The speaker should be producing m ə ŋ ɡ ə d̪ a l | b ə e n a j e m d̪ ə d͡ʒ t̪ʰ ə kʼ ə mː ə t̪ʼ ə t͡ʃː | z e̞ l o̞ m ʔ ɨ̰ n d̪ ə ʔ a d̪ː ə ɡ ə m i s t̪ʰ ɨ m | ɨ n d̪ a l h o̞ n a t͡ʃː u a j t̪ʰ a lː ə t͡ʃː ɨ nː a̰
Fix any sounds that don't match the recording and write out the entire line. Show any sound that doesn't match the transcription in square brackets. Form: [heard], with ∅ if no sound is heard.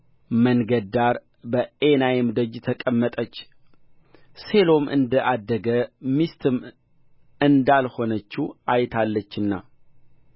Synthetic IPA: m ə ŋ ɡ ə d̪ a [ɾ] | b ə e n a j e m d̪ ə d͡ʒ t̪ʰ ə kʼ ə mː ə t̪ʼ ə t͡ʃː | [s] e̞ l o̞ m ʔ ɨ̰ n d̪ ə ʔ a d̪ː ə ɡ ə m i s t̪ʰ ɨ m | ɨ n d̪ a l h o̞ n [ə] t͡ʃː u a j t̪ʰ a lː ə t͡ʃː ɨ nː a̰

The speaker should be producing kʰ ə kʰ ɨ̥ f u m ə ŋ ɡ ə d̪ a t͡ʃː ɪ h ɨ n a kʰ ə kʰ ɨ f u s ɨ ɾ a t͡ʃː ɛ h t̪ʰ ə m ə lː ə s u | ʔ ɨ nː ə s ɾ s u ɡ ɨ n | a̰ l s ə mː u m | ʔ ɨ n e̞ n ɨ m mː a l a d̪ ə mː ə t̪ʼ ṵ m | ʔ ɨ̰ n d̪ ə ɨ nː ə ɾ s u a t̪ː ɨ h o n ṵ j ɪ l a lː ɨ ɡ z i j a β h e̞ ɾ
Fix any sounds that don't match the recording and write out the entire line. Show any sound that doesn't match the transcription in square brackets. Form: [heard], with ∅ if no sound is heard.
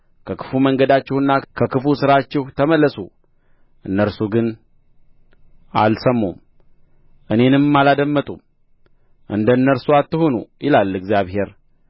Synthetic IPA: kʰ ə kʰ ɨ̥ f u m ə ŋ ɡ ə d̪ a t͡ʃː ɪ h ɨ [nː] a kʰ ə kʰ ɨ f u s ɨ ɾ a t͡ʃː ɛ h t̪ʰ ə m ə lː ə s u | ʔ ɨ nː ə [∅] ɾ s u ɡ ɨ n | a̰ l s ə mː u m | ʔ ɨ n e̞ n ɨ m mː a l a d̪ ə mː ə t̪ʼ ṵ m | ʔ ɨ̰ n d̪ ə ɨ nː ə ɾ s u a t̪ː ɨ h o n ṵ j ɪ l a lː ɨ ɡ z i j a β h e̞ ɾ

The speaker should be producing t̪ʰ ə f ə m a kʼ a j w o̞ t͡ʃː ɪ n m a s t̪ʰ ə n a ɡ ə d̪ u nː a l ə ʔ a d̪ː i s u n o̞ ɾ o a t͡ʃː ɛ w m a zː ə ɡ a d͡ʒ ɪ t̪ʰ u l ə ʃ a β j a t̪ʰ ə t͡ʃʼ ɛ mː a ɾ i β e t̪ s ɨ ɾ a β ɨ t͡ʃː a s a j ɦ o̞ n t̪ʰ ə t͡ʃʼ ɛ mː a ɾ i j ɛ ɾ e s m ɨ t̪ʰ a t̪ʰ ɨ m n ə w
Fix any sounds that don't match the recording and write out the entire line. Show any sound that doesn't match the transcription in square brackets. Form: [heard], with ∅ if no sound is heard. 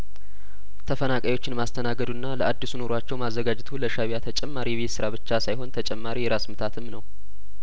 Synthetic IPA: t̪ʰ ə f ə [n] a kʼ a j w o̞ t͡ʃː ɪ n m a s t̪ʰ ə n a ɡ ə d̪ u nː a l ə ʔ a d̪ː i s u n o̞ ɾ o a t͡ʃː ɛ w m a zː ə ɡ a d͡ʒ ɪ t̪ʰ u l ə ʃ a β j a t̪ʰ ə t͡ʃʼ ɛ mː a ɾ i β e t̪ s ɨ ɾ a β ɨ t͡ʃː a s a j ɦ o̞ n t̪ʰ ə t͡ʃʼ ɛ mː a ɾ i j ɛ ɾ [a] s m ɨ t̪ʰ a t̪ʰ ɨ m n ə w

